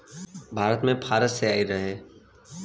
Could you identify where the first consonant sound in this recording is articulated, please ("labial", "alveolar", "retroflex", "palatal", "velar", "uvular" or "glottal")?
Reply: labial